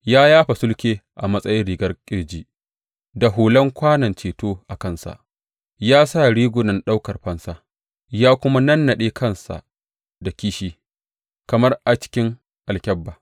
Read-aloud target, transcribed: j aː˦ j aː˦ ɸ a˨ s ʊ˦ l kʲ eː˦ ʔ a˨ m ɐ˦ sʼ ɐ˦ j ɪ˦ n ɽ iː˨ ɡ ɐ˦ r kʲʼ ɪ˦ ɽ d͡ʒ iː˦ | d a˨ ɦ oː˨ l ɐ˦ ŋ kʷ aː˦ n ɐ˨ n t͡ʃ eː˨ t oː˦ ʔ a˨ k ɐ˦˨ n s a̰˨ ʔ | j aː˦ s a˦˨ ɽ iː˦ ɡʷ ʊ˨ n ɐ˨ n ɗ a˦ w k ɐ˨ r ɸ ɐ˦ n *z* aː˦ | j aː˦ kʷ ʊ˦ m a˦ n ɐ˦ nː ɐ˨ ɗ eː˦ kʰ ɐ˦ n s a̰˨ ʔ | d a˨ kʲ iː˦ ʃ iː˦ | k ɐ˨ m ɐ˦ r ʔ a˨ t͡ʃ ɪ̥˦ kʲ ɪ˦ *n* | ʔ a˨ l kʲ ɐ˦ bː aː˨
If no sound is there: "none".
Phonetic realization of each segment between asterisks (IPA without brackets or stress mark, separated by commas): s, ŋ